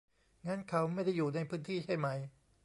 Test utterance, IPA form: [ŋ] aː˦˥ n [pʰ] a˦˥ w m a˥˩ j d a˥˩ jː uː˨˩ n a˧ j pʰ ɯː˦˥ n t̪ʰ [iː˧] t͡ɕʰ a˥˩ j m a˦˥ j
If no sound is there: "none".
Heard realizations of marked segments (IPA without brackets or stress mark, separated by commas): ŋ, kʰ, iː˥˩